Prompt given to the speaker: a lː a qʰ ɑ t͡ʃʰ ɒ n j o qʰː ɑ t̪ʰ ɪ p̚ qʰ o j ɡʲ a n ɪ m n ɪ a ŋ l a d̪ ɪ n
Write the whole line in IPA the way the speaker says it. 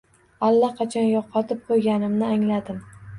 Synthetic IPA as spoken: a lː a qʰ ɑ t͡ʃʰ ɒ n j ɒ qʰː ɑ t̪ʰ ɪ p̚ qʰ o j ɡʲ a n ɪ m n ɪ a ŋ l a d̪ ɪ m

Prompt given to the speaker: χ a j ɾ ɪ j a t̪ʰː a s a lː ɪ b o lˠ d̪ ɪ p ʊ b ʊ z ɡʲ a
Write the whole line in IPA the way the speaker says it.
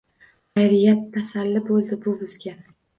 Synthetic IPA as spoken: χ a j ɾ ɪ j a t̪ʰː a s a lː ɪ b o lˠ d̪ ɪ b ʊ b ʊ z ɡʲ a

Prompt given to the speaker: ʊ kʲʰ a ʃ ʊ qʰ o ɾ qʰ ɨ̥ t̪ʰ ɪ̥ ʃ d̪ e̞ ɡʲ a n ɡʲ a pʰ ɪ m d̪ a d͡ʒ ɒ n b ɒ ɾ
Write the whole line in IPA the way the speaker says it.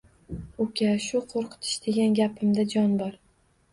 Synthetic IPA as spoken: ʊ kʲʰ a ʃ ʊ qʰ o ɾ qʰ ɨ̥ t̪ʰ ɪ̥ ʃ d̪ e̞ ɡʲ a n ɡʲ a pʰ ɪ m d̪ a d͡ʒ ɒ n b ɒ ɾ

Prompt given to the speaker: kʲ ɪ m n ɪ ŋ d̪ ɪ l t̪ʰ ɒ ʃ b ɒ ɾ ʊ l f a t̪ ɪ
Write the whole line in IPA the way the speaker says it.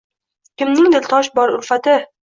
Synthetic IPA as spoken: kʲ ɪ m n ɪ ŋ d̪ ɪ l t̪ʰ ɒ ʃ b ɒ ɾ ʊ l f a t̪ ɪ

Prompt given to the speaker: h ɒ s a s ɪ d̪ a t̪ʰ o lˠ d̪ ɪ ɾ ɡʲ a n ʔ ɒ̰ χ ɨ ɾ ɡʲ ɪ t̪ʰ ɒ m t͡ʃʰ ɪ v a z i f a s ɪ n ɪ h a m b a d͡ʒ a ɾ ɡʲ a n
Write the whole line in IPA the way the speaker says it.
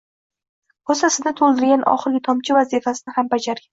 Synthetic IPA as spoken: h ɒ s a s ɪ d̪ a t̪ʰ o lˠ d̪ ɪ ɾ ɡʲ a n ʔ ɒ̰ χ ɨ ɾ ɡʲ ɪ t̪ʰ ɒ m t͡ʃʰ ɪ v a z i f a s ɪ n ɪ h a m b a d͡ʒ a ɾ ɡʲ a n

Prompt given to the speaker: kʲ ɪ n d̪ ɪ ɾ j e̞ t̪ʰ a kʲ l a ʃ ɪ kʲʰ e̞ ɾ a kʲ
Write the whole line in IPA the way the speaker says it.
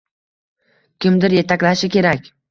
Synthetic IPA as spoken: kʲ ɪ m d̪ ɪ ɾ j e̞ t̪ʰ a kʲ l a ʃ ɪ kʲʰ e̞ ɾ a kʲ

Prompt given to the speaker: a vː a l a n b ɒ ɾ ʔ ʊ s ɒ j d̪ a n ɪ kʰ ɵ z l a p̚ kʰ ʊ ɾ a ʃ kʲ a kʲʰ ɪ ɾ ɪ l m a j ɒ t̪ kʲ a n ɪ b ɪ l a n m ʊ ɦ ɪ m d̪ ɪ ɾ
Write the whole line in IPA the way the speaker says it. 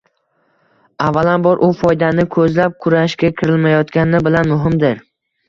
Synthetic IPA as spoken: a vː a l a n b ɒ ɾ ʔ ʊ f ɒ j d̪ a n ɪ kʰ ɵ z l a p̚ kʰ ʊ ɾ a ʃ kʲ a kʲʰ ɪ ɾ ɪ l m a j ɒ t̪ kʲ a n ɪ b ɪ l a n m ʊ ɦ ɪ m d̪ ɪ ɾ

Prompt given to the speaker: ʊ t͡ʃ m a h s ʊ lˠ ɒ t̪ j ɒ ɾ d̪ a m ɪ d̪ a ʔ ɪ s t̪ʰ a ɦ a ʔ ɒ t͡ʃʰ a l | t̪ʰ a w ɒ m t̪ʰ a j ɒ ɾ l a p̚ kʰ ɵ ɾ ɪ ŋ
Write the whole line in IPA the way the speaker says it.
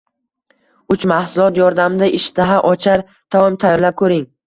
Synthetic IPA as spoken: ʊ t͡ʃ m a h s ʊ lˠ ɒ t̪ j ɒ ɾ d̪ a m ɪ d̪ a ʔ ɪ ʃ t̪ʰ a ɦ a ʔ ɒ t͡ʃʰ a ɾ | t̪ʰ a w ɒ m t̪ʰ a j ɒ ɾ l a p̚ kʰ ɵ ɾ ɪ ŋ

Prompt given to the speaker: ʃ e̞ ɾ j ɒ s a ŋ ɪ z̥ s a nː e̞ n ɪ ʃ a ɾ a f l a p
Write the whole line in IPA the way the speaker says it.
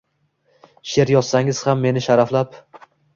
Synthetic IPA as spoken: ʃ e̞ ɾ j ɒ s a ŋ ɪ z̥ h a mː e̞ n ɪ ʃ a ɾ a f l a p

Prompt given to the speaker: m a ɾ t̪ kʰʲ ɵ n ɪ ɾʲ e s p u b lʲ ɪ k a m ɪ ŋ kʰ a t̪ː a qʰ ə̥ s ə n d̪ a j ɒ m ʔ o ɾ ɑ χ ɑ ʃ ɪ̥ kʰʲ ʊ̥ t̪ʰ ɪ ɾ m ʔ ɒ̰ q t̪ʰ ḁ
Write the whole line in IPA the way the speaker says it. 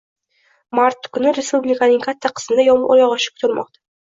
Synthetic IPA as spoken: m a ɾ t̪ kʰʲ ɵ n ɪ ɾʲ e s p u b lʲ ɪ k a n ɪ ŋ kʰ a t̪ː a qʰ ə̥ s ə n d̪ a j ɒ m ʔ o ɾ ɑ ʁ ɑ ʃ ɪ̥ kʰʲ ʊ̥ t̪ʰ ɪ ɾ m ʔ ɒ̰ q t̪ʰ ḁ

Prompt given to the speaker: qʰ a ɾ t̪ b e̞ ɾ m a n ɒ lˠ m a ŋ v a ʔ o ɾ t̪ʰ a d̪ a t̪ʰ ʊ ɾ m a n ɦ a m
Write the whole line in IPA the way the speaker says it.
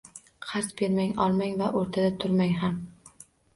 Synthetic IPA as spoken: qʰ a ɾ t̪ b e̞ ɾ m a ŋ ɒ lˠ m a ŋ v a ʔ o ɾ t̪ʰ a d̪ a t̪ʰ ʊ ɾ m a ŋ ɦ a m

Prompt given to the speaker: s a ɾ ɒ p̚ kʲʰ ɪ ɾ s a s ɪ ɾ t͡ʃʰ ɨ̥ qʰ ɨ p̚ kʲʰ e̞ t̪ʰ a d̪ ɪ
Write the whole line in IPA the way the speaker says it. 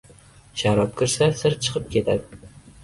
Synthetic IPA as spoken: ʃ a ɾ ɒ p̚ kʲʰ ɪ ɾ s a s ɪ ɾ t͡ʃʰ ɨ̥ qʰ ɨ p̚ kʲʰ e̞ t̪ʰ a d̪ ɪ

